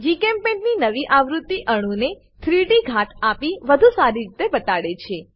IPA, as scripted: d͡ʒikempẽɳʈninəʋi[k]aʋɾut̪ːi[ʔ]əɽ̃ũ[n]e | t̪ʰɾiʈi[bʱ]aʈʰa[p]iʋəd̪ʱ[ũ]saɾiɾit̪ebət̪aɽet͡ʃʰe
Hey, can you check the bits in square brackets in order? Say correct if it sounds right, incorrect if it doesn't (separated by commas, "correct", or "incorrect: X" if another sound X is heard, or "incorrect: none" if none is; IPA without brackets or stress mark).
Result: incorrect: ʔ, correct, correct, incorrect: ɡʱ, correct, incorrect: u